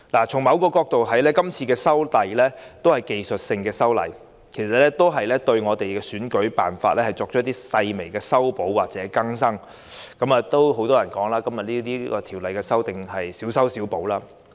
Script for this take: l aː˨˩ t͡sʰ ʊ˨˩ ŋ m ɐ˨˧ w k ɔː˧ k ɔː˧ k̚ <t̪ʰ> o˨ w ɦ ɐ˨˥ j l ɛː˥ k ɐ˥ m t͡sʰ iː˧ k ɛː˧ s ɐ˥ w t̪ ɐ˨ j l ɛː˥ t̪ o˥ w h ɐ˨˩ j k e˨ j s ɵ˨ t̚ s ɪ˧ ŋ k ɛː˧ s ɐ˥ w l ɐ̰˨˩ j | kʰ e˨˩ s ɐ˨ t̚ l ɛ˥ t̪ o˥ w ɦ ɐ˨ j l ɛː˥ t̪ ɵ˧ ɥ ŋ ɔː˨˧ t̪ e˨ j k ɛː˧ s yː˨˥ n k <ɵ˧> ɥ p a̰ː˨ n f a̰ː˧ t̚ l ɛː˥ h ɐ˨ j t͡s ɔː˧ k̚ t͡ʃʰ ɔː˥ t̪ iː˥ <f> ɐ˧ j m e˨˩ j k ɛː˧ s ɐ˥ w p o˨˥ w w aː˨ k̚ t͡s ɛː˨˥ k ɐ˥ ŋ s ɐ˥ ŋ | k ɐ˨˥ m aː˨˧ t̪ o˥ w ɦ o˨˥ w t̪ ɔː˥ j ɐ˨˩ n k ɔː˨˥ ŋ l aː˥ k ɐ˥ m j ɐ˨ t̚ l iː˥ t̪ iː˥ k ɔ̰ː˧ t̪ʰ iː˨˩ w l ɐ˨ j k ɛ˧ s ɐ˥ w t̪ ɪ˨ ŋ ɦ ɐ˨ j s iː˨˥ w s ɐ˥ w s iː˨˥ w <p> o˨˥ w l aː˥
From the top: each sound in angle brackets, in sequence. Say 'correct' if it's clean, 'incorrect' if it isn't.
incorrect: t̪, incorrect: ɵ˨˥, incorrect: s, correct

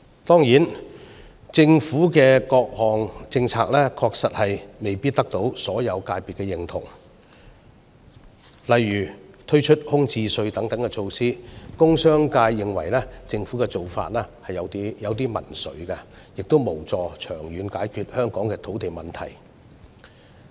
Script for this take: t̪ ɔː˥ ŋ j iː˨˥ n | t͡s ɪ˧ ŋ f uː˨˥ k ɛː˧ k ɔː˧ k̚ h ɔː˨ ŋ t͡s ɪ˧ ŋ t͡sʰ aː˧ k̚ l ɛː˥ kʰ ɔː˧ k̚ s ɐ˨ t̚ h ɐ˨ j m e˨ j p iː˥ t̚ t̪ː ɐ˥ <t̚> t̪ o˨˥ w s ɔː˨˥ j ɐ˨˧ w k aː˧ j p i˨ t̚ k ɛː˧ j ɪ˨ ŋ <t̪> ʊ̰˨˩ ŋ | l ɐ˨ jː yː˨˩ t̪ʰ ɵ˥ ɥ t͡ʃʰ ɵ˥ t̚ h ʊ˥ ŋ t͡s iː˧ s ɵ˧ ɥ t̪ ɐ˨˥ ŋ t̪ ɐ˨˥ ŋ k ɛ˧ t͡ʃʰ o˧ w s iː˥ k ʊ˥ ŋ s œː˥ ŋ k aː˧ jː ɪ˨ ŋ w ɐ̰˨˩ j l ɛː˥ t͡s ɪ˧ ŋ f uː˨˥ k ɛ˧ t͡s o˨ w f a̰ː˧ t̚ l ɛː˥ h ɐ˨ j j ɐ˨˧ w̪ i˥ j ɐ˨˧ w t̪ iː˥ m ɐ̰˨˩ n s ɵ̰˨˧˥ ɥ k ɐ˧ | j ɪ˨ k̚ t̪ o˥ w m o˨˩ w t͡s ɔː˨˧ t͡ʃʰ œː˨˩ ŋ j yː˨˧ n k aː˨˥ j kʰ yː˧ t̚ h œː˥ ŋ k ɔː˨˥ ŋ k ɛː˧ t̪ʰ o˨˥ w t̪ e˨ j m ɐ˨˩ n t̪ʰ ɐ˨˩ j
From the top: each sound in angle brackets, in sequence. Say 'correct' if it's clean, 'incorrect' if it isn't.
incorrect: k̚, incorrect: t̪ʰ

